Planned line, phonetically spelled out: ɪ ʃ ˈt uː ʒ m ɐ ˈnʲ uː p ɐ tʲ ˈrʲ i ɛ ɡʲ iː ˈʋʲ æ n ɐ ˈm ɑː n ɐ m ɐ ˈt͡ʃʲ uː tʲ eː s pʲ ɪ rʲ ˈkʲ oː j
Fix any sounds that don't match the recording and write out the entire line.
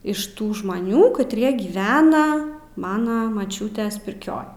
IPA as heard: ɪ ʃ ˈt uː ʒ m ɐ ˈnʲ uː k ɐ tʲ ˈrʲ i ɛ ɡʲ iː ˈʋʲ æː n ɐ ˈm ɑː n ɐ m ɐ ˈt͡ʃʲ uː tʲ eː s pʲ ɪ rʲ ˈkʲ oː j